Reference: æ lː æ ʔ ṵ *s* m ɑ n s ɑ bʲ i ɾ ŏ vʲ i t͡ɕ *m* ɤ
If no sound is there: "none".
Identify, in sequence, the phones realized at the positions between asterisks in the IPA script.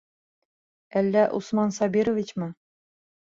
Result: s, m

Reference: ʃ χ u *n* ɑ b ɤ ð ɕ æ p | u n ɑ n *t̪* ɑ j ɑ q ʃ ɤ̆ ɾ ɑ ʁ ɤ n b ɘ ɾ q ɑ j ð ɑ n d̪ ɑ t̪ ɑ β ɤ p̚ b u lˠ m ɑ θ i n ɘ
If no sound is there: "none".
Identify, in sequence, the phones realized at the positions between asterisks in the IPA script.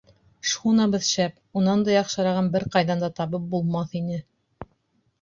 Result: n, d̪

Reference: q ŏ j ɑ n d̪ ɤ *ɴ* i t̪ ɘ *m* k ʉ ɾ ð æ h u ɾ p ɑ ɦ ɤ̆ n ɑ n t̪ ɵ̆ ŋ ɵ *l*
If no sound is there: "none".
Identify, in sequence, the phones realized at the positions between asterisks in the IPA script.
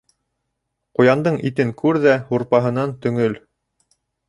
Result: ɴ, ŋ, l

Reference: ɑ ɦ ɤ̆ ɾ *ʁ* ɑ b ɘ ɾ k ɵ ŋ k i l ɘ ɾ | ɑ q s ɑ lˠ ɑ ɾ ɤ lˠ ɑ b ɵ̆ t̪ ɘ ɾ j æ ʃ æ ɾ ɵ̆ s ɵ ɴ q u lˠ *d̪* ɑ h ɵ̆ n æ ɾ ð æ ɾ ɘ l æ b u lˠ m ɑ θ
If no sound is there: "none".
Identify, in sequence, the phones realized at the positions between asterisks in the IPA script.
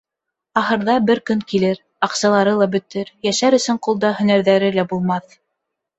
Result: ð, d̪

